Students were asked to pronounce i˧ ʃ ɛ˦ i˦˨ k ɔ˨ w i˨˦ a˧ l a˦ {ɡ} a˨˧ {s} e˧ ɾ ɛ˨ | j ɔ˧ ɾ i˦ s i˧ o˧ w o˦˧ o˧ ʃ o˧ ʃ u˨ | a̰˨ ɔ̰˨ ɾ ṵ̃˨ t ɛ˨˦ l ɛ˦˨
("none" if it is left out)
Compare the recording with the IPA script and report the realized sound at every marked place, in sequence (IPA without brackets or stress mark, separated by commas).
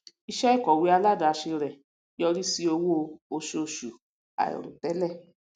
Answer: d, ʃ